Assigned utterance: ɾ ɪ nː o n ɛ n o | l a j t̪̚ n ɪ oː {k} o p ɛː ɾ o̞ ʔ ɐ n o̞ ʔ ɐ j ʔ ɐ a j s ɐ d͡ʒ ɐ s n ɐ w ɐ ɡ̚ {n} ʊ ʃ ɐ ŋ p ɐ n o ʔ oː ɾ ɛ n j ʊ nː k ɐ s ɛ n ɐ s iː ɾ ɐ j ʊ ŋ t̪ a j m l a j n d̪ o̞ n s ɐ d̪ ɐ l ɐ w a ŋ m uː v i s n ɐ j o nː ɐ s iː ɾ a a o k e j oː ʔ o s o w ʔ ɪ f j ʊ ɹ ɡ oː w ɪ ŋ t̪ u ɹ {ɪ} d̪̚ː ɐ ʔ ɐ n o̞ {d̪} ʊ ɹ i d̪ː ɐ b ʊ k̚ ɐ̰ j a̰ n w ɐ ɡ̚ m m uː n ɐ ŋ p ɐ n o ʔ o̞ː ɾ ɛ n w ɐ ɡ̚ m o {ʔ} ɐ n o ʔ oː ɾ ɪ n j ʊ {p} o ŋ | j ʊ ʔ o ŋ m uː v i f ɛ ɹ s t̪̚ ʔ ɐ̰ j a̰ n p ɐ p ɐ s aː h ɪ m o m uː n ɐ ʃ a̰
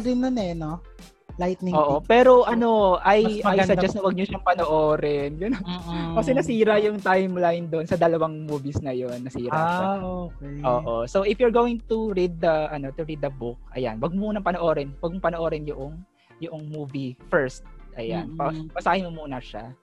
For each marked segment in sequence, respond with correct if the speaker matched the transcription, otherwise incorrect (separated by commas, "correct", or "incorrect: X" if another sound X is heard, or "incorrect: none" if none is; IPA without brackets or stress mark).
incorrect: ʔ, incorrect: ɲ, incorrect: i, incorrect: t̪, incorrect: p, incorrect: ʔ